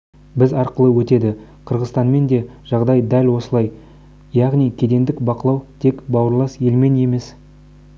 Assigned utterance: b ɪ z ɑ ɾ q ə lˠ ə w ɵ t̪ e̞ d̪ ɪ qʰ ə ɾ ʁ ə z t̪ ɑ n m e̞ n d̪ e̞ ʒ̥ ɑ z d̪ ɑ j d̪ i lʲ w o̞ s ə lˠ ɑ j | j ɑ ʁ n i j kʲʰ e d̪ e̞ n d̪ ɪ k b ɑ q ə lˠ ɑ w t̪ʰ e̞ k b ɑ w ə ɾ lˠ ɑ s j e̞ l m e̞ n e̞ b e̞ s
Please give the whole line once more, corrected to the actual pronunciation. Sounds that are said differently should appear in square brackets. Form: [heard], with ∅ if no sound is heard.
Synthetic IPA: b ɪ z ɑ ɾ q ə lˠ ə w ɵ t̪ e̞ d̪ ɪ qʰ ə ɾ ʁ ə z t̪ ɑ n m e̞ n d̪ e̞ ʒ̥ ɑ [ʁ] d̪ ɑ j d̪ [æ] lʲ w o̞ s ə lˠ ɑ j | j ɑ ʁ n i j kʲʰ e d̪ e̞ n d̪ ɪ k b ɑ q ə lˠ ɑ w t̪ʰ e̞ k b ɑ w ə ɾ lˠ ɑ s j e̞ l m e̞ n e̞ [m] e̞ s